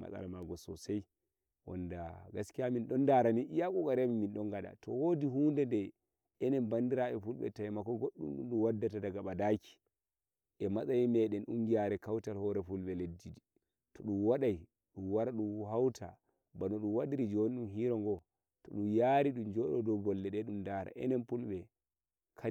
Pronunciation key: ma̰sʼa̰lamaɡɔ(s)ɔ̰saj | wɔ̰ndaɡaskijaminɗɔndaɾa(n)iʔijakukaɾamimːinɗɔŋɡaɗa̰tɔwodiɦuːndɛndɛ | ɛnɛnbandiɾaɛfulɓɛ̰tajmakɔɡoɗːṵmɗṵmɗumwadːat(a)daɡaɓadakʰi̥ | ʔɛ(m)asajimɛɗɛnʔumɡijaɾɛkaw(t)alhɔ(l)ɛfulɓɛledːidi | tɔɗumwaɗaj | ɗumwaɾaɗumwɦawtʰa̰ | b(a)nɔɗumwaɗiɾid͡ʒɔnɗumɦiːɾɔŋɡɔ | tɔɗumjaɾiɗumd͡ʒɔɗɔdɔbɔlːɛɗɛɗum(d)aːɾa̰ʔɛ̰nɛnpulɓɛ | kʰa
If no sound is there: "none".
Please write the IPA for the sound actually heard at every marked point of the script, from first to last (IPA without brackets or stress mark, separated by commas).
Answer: s, n, a, m, t, ɾ, a, d